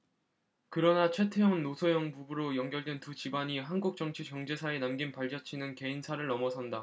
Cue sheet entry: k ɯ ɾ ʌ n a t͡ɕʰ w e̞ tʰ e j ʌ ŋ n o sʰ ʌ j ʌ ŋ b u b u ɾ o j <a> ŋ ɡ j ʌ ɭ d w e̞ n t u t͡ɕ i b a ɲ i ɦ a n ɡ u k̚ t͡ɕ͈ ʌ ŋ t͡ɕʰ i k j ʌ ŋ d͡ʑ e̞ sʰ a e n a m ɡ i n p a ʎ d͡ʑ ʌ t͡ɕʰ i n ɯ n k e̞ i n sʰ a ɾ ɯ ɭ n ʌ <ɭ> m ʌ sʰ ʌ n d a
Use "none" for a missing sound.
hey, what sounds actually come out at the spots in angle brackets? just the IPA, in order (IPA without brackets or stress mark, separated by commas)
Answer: ʌ, none